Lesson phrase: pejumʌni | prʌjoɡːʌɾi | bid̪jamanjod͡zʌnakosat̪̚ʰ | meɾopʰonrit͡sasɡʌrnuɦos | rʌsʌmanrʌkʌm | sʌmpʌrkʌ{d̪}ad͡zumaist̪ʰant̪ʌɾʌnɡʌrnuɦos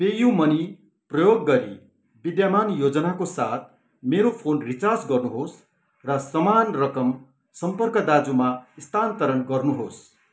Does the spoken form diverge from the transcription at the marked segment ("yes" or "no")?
no